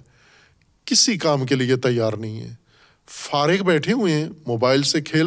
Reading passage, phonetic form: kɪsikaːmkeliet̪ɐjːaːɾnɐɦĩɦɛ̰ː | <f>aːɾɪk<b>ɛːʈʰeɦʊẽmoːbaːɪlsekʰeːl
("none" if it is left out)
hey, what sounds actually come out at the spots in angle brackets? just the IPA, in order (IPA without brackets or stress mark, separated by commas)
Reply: f, b